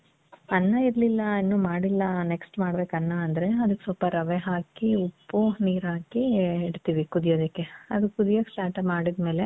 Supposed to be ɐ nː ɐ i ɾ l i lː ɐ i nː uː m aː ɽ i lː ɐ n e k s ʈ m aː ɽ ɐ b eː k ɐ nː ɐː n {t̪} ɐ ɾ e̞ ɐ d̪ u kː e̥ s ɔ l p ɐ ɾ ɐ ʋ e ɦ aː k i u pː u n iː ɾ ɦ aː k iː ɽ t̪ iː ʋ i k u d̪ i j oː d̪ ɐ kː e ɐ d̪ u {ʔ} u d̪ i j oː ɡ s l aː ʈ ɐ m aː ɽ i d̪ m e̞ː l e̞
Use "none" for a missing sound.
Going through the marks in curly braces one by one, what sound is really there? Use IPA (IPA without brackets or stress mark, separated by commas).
d̪, k